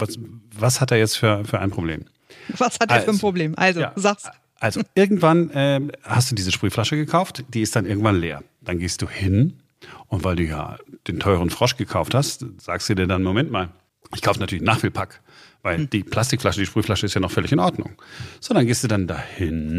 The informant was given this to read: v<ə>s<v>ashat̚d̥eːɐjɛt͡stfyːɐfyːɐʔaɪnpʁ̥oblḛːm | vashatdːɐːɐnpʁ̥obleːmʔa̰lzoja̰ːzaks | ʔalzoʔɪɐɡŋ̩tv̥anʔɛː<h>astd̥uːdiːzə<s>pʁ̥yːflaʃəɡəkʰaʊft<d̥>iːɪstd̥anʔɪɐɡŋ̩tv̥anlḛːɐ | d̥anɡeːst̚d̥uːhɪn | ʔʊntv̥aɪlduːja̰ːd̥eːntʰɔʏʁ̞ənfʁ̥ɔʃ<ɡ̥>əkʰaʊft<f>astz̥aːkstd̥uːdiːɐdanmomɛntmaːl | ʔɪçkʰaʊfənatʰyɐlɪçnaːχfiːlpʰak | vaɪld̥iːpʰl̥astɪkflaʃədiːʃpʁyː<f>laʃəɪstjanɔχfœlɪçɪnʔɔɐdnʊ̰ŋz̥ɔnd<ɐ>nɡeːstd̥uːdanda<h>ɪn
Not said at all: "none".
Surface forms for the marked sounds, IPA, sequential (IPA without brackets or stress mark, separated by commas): a, v, h, ʃ, d̥, ɡ̥, h, f, ɐ, h